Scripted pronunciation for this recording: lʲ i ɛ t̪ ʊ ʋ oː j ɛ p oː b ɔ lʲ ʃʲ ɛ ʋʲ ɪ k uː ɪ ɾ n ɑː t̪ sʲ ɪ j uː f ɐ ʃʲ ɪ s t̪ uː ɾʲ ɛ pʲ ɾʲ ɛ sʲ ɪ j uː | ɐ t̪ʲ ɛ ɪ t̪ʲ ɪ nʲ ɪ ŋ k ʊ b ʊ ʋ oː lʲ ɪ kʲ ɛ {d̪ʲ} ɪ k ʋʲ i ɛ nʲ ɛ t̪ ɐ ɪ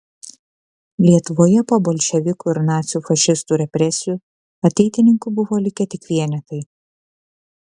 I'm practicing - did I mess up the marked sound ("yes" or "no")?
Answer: yes